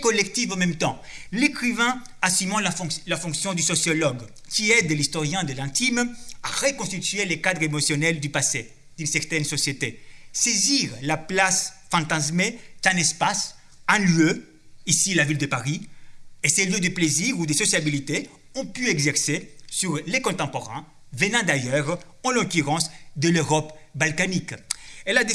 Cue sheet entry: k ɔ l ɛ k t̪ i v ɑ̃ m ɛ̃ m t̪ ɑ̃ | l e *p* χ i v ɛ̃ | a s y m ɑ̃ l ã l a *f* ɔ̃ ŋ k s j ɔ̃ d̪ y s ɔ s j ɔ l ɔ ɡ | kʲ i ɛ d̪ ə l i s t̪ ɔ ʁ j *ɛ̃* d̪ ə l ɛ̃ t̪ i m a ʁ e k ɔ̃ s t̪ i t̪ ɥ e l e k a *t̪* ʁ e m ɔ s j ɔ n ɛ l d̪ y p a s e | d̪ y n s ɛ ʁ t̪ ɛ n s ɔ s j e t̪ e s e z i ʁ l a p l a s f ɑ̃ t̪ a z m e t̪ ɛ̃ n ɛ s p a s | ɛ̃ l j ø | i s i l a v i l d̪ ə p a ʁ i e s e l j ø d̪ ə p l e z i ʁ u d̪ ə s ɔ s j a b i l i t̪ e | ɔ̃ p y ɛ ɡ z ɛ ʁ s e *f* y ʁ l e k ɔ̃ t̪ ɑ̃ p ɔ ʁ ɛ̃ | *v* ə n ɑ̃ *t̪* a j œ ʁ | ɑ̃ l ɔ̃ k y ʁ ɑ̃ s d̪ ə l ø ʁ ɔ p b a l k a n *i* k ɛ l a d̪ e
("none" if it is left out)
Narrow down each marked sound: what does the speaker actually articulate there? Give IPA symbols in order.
k, f, ɛ̃, d̪, s, v, d̪, i

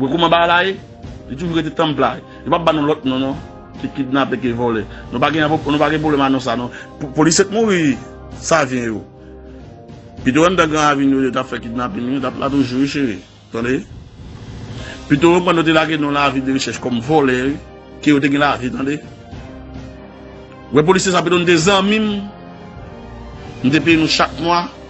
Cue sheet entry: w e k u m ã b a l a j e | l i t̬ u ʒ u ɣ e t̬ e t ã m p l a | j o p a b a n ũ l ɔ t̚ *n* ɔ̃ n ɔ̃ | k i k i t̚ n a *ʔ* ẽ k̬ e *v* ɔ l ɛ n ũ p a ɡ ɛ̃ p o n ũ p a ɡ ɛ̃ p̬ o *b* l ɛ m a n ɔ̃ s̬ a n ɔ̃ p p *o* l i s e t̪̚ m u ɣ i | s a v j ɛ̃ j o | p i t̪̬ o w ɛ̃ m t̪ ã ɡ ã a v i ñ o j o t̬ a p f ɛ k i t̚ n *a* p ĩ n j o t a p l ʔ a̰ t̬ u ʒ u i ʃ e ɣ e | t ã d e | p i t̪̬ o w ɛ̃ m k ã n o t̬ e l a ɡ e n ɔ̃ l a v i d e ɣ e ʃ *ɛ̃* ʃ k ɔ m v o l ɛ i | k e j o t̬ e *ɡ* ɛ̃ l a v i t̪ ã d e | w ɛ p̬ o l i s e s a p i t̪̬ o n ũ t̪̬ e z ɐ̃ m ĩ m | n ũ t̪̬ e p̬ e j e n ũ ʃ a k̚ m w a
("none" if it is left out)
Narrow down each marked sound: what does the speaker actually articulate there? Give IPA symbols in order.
n, p, v, b, o, a, ɛ, ɡ

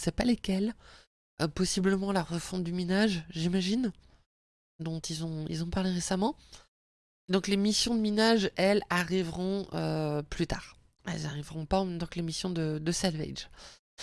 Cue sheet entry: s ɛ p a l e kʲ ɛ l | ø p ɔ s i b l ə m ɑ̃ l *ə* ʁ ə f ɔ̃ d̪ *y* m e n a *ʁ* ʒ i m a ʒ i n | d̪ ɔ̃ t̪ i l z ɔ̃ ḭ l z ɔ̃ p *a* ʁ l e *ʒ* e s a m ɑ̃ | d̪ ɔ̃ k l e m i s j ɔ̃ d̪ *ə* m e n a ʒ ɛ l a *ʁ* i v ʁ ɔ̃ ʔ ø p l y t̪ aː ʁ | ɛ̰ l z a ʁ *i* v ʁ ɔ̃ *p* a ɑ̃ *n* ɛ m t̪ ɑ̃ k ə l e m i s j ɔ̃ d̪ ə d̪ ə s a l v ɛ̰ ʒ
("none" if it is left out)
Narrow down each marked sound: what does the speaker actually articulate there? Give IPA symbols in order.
a, y, ʒ, a, ʁ, ə, ʁ, i, p, m

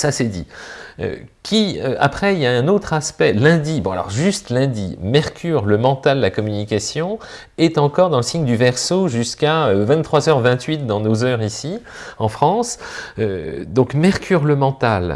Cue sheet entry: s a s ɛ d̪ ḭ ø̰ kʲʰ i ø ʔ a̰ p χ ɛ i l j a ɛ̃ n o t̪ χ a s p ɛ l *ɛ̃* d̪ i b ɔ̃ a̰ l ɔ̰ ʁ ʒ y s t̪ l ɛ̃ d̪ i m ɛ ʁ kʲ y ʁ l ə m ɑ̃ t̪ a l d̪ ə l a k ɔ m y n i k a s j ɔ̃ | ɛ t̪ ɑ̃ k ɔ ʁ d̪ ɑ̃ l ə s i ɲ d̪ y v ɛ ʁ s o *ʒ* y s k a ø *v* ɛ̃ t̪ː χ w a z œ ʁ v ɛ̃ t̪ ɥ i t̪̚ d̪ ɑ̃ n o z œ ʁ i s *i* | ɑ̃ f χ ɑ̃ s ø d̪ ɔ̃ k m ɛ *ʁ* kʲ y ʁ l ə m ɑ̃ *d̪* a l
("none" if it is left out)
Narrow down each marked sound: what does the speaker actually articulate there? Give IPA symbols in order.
ɛ̃, ʒ, v, i, ʁ, t̪

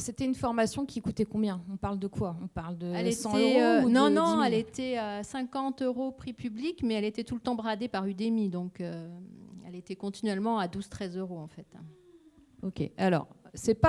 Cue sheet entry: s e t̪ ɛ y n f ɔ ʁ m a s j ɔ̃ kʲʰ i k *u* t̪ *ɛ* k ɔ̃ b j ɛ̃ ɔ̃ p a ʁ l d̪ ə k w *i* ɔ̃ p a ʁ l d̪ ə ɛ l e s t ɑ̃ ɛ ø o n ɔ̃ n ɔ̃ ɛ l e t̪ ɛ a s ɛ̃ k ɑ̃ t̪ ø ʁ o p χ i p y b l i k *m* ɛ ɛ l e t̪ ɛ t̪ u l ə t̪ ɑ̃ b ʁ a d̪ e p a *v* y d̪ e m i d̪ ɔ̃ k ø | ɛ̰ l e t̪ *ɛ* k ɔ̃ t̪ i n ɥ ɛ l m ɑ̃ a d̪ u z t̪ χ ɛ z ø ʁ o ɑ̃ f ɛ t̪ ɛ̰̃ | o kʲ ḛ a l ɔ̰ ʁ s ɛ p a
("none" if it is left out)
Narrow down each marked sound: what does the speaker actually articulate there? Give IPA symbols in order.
u, ɛ, a, m, ʁ, ɛ

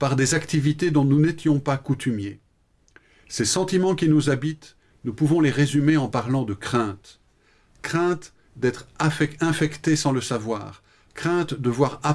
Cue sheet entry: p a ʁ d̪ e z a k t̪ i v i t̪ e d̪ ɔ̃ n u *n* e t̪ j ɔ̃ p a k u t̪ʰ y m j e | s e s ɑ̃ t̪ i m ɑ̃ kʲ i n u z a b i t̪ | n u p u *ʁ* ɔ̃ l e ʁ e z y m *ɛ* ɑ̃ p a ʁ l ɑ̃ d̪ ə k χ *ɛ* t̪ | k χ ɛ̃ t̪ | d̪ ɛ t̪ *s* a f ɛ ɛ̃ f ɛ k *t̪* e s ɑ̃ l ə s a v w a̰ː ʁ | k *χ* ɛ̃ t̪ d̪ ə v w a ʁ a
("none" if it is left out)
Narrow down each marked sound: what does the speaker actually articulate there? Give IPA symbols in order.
n, v, e, ɛ̃, χ, t̪, χ

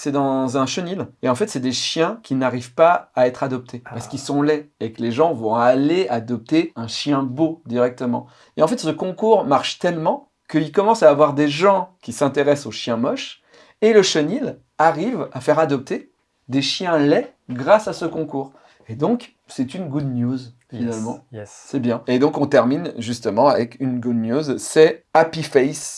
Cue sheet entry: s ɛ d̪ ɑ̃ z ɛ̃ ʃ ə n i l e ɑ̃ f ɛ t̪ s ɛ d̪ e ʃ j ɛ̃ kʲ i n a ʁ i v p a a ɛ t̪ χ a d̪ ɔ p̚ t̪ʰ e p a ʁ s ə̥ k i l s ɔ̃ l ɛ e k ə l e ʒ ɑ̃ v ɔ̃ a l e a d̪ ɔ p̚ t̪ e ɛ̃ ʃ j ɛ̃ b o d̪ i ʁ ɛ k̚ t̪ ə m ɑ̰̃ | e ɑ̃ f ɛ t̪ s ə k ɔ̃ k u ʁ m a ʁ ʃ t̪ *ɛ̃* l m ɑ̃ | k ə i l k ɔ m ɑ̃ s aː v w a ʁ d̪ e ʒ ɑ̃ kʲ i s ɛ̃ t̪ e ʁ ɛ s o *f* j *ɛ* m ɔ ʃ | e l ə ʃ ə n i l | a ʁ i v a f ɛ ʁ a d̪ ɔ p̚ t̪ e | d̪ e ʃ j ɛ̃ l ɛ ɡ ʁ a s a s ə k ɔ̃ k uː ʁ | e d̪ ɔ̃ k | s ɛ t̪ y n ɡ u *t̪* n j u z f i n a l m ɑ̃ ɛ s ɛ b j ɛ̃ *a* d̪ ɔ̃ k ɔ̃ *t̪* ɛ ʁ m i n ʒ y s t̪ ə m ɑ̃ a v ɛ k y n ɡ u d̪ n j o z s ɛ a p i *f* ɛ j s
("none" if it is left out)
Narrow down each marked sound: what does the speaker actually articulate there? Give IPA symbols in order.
ɛ, ʃ, ɛ̃, d̪, e, t̪, f

